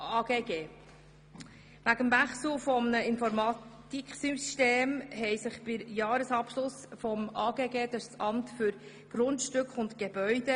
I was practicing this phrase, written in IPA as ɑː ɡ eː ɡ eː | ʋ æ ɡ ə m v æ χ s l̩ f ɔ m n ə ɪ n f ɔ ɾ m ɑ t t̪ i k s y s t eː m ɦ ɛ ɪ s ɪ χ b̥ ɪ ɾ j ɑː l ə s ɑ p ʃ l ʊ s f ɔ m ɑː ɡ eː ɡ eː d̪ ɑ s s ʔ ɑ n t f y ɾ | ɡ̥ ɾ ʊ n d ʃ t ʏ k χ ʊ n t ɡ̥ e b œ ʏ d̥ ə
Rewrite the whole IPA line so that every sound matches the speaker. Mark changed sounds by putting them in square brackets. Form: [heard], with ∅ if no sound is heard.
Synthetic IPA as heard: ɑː ɡ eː ɡ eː | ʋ æ ɡ ə m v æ χ s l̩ f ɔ m n ə ɪ n f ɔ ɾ m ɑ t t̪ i k s y s t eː m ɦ ɛ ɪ s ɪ χ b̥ ɪ ɾ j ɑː [ɾ] ə s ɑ p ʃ l ʊ s f ɔ m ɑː ɡ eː ɡ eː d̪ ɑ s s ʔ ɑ [m] t f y ɾ | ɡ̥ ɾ ʊ n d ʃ t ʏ k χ ʊ n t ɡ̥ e b œ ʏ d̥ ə